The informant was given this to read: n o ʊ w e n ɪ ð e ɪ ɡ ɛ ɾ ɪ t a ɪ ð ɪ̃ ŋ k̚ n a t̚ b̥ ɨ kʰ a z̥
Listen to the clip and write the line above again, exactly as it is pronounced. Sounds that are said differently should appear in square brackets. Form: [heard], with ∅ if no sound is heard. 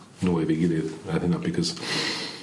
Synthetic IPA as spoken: n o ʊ w e [∅] ɪ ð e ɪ ɡ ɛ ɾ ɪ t a ɪ [θ] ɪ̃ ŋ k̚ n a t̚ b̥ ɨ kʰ [ʌ] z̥